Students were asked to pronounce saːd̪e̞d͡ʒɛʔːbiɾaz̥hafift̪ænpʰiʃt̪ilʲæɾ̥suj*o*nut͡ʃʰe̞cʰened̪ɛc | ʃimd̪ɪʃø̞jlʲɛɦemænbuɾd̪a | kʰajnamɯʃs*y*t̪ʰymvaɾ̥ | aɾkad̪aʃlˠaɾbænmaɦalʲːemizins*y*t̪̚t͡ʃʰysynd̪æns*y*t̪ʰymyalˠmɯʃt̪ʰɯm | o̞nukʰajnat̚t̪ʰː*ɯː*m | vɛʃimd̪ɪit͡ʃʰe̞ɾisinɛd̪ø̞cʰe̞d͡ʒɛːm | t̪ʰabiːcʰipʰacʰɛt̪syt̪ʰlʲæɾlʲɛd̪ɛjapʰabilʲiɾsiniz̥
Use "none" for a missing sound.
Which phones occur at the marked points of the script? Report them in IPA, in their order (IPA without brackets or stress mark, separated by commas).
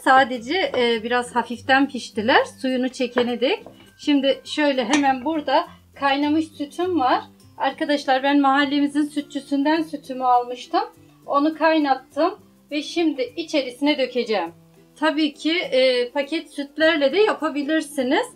u, y, y, y, ɯ